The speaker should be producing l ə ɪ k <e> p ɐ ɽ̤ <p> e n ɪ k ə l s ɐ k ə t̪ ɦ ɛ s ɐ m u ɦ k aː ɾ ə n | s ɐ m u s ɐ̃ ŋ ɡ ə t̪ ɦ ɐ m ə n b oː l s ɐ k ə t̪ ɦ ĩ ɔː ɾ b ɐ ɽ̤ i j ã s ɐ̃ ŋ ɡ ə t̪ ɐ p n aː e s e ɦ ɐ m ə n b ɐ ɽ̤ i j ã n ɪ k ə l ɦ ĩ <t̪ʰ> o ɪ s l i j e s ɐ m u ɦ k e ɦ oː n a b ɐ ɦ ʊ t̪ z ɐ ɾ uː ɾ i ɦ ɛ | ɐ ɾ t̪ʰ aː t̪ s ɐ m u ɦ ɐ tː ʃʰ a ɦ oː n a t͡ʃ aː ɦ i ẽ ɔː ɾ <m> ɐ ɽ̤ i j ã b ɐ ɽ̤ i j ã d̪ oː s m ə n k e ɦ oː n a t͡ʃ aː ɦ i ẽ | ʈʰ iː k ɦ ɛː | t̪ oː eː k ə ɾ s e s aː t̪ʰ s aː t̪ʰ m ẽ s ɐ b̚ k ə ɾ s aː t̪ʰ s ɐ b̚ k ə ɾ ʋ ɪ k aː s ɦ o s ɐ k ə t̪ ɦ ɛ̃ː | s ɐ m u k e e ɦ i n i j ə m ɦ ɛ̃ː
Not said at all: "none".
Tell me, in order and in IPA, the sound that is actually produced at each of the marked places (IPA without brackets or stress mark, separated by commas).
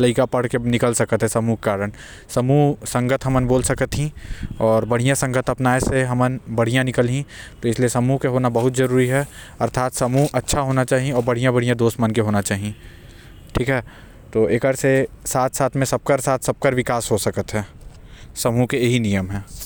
a, k, t̪, b